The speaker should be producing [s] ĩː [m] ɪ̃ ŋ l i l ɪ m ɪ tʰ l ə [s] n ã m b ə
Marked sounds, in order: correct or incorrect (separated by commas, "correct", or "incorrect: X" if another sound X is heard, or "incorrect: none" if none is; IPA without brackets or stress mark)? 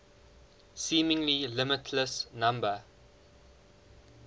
correct, correct, correct